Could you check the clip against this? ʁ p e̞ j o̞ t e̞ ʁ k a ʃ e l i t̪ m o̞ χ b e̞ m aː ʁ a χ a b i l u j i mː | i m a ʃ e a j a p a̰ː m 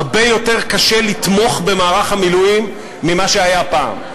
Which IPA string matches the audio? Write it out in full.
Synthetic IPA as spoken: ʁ b e̞ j o̞ t e̞ ʁ k a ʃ e l i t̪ m o̞ χ b e̞ m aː ʁ a χ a m i l u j i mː | i m a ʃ e a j a p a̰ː m